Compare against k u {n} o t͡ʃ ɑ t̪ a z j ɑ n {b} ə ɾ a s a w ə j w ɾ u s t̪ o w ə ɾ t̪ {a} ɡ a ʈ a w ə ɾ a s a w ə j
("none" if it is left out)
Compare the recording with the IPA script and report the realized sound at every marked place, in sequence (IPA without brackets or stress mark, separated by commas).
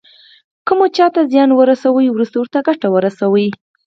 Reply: m, w, a